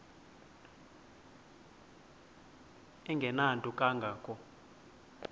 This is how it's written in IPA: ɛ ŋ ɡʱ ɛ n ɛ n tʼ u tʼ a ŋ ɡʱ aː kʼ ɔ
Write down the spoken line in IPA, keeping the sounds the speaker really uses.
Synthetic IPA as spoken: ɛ ŋ ɡʱ ɛ n a n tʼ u kʼ a ŋ ɡʱ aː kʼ ɔ